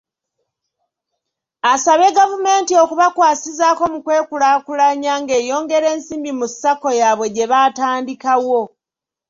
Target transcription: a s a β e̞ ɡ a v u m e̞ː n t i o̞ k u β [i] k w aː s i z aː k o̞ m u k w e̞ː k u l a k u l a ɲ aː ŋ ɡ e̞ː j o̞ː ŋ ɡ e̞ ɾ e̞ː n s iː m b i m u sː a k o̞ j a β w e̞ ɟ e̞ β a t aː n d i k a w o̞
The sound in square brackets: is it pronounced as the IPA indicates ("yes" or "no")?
no